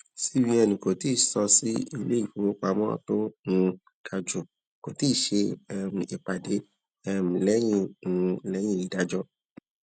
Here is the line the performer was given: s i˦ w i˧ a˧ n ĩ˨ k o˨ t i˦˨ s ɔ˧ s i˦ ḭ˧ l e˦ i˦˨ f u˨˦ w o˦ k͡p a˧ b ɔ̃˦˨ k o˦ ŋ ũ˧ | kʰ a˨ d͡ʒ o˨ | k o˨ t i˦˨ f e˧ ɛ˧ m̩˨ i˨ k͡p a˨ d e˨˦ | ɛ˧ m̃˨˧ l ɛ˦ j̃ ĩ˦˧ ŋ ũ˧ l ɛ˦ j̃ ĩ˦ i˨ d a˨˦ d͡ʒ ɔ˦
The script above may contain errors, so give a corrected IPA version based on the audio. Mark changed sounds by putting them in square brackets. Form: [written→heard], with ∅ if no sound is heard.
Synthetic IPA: s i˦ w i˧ [a˧→ɛ˧] n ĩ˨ k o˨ t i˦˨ s ɔ˧ s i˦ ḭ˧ l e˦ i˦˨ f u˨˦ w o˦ k͡p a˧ [b→m] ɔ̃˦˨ [k→t] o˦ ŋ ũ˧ | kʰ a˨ d͡ʒ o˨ | k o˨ t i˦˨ [f→ʃ] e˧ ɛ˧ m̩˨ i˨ k͡p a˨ d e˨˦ | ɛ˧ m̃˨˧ l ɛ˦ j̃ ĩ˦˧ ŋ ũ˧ l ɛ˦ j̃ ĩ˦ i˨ d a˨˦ d͡ʒ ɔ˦

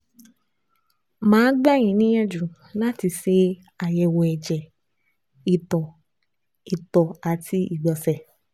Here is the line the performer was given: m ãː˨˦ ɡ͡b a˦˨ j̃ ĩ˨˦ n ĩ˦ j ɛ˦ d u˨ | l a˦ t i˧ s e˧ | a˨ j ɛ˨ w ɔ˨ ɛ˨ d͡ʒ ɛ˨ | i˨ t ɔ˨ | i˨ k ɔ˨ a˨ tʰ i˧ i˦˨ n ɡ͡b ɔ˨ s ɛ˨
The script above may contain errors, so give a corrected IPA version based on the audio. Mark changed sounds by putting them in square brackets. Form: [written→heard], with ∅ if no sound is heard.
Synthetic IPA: m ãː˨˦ ɡ͡b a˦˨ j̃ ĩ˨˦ n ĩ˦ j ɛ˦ [d→d͡ʒ] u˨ | l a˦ t i˧ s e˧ | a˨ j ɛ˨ w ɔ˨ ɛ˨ d͡ʒ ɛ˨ | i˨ t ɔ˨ | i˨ [k→t] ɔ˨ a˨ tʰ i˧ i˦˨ [n→∅] ɡ͡b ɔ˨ s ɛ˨

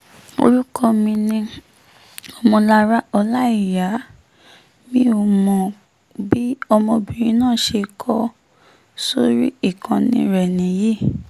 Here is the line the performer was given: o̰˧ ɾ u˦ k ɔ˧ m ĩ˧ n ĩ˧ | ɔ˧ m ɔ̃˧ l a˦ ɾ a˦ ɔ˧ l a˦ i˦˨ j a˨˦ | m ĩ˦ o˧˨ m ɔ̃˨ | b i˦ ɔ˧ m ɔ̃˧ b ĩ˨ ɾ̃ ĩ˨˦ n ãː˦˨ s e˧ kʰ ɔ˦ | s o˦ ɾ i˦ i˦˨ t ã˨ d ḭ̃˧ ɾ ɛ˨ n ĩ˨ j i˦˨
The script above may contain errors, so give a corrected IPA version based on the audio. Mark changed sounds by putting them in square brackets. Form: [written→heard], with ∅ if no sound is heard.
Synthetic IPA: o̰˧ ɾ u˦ k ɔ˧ m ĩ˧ n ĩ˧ | ɔ˧ m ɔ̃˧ l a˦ ɾ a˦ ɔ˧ l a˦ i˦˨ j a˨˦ | m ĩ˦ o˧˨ m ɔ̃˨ | b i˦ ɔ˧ m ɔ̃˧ b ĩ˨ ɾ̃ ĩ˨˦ n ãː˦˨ [s→ʃ] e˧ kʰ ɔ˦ | s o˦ ɾ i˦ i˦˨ [t→k] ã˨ [d→n] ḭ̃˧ ɾ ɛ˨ n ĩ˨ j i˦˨

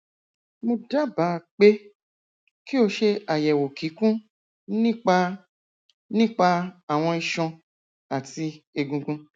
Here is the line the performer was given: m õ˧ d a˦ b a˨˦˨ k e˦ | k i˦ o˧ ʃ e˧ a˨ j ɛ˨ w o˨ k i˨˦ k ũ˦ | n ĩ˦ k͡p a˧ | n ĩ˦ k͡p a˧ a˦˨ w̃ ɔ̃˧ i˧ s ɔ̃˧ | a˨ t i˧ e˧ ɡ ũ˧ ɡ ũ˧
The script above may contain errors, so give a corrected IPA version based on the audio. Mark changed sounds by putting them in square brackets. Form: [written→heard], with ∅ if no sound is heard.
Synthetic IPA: m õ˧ d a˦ b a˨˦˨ [k→k͡p] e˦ | k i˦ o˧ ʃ e˧ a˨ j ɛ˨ w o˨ k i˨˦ k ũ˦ | n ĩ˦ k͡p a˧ | n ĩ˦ k͡p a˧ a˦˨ w̃ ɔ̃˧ i˧ [s→ʃ] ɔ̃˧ | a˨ t i˧ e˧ ɡ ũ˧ ɡ ũ˧

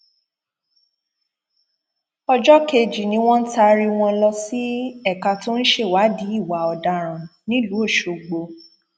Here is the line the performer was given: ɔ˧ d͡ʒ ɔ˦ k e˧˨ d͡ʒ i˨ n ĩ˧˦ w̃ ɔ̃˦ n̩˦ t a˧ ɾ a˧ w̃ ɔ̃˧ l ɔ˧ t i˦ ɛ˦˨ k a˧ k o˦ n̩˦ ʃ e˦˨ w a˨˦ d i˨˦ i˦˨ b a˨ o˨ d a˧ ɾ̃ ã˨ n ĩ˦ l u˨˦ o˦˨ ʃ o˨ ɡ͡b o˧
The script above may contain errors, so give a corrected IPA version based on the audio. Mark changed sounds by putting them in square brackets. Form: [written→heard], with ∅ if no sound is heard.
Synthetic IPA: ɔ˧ d͡ʒ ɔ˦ k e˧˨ d͡ʒ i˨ n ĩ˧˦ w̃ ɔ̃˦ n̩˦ t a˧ ɾ [a˧→i˧] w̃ ɔ̃˧ l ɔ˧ [t→s] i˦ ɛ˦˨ k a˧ [k→t] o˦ n̩˦ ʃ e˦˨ w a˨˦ d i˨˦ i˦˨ [b→w] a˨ [o˨→ɔ˨] d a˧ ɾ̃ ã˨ n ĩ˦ l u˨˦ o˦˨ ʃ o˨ ɡ͡b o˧

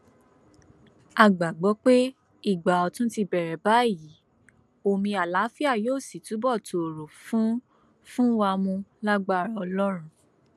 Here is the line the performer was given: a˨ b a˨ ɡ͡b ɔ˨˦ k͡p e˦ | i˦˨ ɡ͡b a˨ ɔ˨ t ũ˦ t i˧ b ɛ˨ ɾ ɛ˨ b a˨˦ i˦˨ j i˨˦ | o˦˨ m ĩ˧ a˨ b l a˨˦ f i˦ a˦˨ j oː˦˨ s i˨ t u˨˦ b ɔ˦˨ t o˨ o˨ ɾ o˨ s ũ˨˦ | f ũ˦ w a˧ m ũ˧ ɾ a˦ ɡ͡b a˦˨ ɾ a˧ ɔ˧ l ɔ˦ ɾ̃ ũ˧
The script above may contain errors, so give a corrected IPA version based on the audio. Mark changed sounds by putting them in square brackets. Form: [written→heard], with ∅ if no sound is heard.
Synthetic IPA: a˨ [b→ɡ͡b] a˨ ɡ͡b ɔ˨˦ k͡p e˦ | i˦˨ ɡ͡b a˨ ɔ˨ t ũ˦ t i˧ b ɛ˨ ɾ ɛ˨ b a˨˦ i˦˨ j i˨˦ | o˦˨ m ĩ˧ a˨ [b→∅] l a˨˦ f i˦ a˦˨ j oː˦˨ s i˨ t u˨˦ b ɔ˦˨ t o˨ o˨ ɾ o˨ [s→f] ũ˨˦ | f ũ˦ w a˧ m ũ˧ [ɾ→l] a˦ ɡ͡b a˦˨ ɾ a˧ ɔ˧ l ɔ˦ ɾ̃ ũ˧

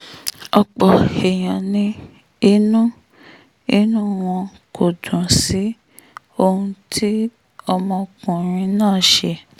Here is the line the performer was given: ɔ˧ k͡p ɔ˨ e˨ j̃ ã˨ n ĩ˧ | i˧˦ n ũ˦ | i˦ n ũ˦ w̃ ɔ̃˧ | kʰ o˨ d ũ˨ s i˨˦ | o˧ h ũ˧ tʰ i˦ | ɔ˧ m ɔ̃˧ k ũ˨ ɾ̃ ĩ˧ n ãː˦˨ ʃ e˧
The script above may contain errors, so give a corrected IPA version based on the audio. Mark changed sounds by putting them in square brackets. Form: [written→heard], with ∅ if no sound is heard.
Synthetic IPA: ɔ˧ k͡p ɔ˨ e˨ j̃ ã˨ n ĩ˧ | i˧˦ n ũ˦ | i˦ n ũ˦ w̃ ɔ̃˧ | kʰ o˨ d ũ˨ s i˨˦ | o˧ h ũ˧ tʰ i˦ | ɔ˧ m ɔ̃˧ k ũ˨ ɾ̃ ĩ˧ n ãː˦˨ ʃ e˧

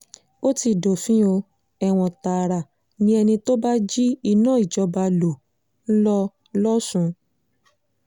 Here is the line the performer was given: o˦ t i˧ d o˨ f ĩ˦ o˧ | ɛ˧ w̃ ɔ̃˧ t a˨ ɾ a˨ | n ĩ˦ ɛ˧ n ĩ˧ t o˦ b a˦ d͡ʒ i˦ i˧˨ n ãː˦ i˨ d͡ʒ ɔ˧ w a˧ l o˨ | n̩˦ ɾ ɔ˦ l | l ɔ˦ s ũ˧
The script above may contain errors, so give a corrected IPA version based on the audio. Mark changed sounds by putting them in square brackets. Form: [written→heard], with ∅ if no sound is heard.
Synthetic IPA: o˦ t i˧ d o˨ f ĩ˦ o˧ | ɛ˧ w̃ ɔ̃˧ t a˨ ɾ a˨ | n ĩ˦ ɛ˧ n ĩ˧ t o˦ b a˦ d͡ʒ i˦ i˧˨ n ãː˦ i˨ d͡ʒ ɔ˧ [w→b] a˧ l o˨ | n̩˦ [ɾ→l] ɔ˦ [l→∅] | l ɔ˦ s ũ˧

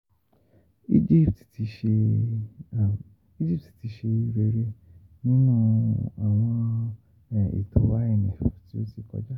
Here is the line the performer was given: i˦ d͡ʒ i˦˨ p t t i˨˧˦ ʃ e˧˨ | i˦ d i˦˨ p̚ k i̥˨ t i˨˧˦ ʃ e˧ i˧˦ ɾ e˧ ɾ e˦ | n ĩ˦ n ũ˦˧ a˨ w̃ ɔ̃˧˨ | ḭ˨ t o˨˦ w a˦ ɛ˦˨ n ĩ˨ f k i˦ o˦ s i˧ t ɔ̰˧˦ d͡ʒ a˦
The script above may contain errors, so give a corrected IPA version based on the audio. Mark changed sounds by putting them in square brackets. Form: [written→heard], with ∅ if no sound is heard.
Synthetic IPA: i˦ d͡ʒ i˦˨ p t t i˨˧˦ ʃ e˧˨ | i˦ [d→d͡ʒ] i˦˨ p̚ [k→t] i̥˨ t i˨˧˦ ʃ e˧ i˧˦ ɾ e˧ ɾ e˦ | n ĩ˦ n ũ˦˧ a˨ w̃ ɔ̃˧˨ | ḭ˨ t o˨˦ w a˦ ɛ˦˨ n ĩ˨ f [k→t] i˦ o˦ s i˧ [t→k] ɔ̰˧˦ d͡ʒ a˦

